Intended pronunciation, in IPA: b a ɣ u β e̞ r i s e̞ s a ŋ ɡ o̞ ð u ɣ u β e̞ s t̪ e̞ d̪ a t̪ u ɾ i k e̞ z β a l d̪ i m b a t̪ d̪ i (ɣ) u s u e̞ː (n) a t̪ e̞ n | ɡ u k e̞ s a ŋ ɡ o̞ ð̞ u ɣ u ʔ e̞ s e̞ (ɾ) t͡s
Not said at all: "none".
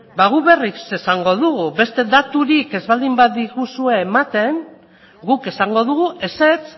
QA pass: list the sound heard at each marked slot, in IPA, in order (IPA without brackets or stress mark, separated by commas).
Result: ɣ, m, none